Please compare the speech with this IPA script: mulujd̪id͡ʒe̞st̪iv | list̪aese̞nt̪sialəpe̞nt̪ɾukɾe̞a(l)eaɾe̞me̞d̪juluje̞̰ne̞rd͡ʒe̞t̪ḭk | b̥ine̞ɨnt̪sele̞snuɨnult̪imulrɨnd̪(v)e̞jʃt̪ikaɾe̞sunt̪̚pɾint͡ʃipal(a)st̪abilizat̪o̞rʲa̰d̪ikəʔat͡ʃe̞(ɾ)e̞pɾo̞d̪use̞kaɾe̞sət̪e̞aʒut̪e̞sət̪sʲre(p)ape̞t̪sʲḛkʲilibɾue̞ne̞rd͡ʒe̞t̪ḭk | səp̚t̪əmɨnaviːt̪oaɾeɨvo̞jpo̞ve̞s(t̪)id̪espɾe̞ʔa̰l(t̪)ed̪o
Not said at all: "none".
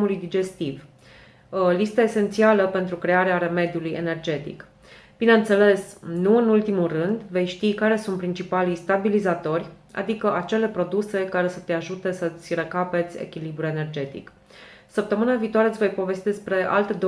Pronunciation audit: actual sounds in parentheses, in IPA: ɾ, v, i, l, k, t̪, t̪

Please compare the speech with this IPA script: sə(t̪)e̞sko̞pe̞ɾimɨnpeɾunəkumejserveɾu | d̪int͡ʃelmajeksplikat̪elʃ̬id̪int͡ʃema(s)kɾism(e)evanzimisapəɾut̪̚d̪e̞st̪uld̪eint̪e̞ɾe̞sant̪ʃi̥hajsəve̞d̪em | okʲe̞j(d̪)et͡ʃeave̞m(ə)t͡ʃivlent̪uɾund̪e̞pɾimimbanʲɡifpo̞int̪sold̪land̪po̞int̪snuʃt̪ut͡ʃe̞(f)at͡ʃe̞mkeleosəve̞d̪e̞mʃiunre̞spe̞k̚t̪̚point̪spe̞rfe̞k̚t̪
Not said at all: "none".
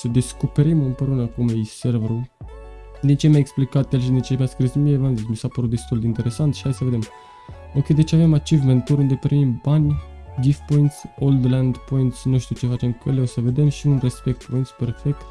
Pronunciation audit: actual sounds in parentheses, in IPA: d̪, s, i, d̪, a, f

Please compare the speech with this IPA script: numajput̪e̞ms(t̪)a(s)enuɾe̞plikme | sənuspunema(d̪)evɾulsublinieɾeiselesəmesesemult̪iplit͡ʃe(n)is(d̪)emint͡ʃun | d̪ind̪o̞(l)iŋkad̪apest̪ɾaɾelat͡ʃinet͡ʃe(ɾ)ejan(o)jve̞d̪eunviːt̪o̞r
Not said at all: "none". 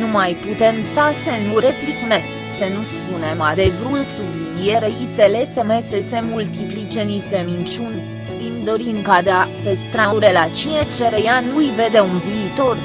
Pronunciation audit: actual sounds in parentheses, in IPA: t̪, s, d̪, n, t̪, ɾ, ɾ, u

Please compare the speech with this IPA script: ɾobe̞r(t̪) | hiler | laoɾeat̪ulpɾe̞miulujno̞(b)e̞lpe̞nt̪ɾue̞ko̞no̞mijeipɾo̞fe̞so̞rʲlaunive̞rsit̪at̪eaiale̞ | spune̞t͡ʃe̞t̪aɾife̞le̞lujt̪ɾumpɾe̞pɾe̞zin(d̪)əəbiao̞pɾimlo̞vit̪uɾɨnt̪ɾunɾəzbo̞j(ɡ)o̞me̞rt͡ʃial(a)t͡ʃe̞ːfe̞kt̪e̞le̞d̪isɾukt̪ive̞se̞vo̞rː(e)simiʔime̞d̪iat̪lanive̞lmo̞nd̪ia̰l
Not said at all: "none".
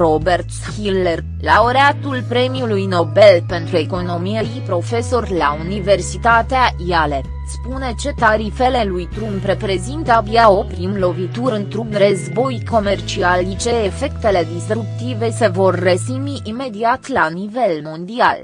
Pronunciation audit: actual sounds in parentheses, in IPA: t̪, b, t̪, k, i, e

